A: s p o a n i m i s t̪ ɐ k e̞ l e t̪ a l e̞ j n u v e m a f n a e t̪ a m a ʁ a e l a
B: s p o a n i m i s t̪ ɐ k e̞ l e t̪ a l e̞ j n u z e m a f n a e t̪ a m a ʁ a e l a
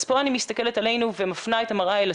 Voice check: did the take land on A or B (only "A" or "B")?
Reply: A